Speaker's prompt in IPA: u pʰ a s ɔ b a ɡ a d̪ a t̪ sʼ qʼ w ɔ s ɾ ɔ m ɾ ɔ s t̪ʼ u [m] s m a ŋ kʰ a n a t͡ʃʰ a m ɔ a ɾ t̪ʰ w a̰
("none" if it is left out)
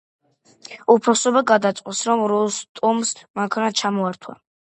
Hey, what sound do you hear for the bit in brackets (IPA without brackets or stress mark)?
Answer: m